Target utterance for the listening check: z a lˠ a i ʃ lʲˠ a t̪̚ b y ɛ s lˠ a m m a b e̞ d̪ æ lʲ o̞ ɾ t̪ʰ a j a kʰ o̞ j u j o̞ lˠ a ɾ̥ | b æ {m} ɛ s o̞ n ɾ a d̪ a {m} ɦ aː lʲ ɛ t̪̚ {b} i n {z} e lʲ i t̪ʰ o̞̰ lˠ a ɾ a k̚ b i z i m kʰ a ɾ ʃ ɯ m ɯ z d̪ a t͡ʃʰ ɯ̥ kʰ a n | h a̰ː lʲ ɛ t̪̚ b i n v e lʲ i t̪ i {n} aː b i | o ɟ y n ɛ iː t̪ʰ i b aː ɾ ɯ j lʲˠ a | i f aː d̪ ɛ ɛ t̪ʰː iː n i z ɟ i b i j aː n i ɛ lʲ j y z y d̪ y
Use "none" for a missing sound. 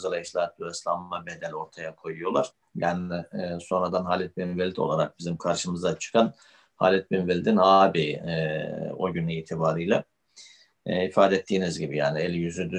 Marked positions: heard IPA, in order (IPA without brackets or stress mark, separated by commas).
n, n, b, v, n